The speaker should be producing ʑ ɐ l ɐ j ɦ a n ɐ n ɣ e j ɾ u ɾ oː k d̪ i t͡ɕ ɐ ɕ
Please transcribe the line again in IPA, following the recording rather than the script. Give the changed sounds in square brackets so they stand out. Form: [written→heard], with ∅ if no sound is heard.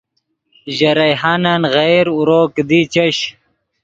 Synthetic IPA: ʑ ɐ [l→ɾ] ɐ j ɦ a n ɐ n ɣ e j ɾ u ɾ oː k d̪ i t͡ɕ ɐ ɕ